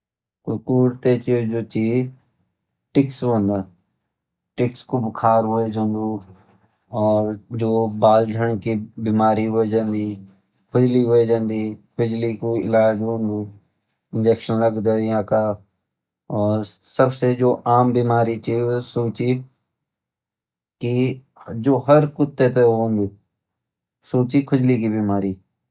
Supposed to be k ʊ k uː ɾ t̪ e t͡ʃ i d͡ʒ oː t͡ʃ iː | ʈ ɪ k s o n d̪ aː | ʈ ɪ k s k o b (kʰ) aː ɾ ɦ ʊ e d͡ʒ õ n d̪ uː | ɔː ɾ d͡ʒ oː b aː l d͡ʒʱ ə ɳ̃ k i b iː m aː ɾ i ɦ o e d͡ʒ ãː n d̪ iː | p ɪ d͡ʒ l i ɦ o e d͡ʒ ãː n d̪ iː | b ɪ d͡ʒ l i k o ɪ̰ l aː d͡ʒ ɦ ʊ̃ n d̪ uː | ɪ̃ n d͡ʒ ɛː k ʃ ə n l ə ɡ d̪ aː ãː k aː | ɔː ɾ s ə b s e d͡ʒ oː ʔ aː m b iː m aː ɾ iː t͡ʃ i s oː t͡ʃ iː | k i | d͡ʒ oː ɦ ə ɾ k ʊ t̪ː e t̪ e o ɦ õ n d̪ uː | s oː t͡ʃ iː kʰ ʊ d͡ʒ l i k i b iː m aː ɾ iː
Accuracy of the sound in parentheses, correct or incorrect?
correct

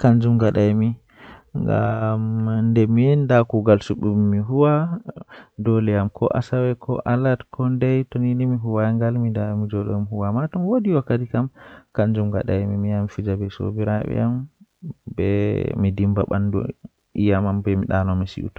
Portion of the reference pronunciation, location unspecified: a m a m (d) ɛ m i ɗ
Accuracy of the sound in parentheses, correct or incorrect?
incorrect: b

